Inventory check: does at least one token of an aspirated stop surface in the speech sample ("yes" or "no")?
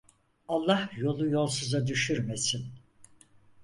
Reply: no